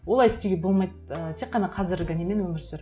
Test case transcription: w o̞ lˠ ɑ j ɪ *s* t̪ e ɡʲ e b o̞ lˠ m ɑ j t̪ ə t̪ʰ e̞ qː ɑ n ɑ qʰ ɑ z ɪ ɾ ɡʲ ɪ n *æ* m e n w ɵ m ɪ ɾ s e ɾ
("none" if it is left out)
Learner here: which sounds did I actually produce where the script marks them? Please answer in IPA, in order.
s, e

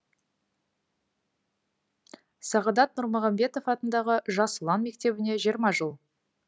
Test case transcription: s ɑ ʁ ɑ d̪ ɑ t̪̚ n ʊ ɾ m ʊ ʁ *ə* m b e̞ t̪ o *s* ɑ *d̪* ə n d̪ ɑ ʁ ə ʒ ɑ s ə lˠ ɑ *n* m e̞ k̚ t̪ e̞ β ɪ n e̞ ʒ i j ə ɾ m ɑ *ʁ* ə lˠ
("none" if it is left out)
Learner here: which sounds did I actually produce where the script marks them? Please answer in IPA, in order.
ɑ, f, t̪, n, ʒ

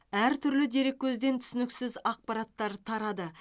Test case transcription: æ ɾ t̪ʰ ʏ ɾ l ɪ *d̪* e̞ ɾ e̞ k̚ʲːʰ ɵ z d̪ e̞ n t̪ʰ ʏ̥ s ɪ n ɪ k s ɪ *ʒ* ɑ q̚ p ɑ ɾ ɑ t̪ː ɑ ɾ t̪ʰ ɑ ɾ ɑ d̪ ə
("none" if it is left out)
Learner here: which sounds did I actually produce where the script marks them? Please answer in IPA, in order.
d̪, z

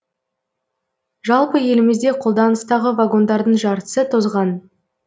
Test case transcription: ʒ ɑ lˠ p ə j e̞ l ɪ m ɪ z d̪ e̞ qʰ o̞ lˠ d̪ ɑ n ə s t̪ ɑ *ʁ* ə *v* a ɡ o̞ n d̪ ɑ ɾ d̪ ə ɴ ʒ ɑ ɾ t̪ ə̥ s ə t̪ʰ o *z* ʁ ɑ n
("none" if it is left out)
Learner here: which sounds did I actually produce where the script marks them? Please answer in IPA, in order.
ʁ, v, z

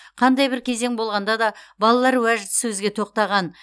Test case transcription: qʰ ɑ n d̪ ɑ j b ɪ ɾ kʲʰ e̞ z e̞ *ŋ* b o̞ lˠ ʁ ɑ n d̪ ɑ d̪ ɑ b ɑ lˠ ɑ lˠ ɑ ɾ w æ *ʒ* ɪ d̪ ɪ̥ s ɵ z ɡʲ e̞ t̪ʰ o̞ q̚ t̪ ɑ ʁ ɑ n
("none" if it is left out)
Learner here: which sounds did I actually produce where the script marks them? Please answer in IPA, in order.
ŋ, ʒ

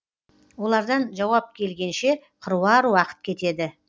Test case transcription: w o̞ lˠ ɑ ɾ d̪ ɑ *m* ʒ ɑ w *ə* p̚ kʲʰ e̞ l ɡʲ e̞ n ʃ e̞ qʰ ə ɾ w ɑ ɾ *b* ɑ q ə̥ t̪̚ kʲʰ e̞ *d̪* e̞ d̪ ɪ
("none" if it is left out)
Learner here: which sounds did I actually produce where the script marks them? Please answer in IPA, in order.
n, ɑ, w, t̪

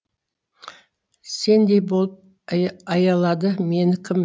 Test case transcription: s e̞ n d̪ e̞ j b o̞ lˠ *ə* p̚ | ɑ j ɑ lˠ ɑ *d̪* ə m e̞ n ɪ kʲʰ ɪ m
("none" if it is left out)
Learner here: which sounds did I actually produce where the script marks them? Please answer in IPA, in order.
ə, d̪

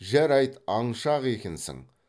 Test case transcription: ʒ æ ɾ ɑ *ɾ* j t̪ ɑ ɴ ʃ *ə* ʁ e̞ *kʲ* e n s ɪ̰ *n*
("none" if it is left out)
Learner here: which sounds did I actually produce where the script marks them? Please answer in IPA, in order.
none, ɑ, kʲ, ŋ

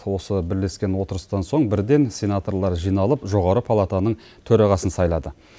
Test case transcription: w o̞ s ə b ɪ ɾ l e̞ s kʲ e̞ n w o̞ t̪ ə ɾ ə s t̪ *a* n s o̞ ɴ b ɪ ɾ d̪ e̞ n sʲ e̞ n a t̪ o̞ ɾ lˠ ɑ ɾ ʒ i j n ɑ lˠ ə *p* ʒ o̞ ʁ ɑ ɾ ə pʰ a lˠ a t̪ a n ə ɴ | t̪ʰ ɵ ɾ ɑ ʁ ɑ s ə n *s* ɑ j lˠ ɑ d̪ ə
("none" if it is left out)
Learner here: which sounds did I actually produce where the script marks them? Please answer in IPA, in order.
ɑ, p, s

